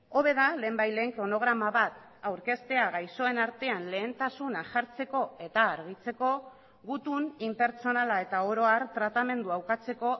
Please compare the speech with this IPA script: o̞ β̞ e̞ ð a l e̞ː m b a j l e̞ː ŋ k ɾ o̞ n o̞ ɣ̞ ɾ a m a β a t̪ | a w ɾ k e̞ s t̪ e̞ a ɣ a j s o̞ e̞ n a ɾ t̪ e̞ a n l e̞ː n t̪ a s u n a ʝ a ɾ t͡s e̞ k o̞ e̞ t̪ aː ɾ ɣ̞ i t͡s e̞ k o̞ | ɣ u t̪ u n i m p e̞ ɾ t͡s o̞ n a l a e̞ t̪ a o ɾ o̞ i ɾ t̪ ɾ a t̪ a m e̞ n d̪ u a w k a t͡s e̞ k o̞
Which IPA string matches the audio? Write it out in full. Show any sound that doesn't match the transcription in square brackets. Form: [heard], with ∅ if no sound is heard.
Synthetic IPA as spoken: o̞ β̞ e̞ ð a l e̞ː m b a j l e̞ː ŋ k ɾ o̞ n o̞ ɣ̞ ɾ a m a β a t̪ | a w ɾ k e̞ s t̪ e̞ a ɣ a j s o̞ e̞ n a ɾ t̪ e̞ a n l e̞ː n t̪ a s u n a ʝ a ɾ t͡s e̞ k o̞ e̞ t̪ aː ɾ ɣ̞ i t͡s e̞ k o̞ | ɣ u t̪ u n i m p e̞ ɾ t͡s o̞ n a l a e̞ t̪ a o ɾ o̞ [a] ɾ t̪ ɾ a t̪ a m e̞ n d̪ u a w k a t͡s e̞ k o̞